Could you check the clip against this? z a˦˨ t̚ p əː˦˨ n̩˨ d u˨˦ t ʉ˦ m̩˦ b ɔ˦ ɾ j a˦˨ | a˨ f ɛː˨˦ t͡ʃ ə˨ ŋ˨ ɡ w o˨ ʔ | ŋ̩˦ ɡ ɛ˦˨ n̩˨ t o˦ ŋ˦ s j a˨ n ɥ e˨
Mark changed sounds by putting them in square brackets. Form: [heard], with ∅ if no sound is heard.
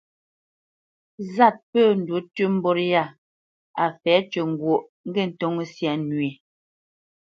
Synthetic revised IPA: z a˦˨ t̚ p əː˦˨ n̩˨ d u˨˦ t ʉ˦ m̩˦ b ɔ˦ ɾ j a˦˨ | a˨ f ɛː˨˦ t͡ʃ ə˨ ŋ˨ ɡ w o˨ ʔ | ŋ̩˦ ɡ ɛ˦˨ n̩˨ t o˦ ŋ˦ s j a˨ n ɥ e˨